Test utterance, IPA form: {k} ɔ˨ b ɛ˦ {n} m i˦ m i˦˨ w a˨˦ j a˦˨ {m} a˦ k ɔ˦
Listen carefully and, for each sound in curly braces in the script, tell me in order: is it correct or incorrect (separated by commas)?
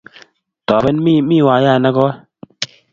incorrect, correct, incorrect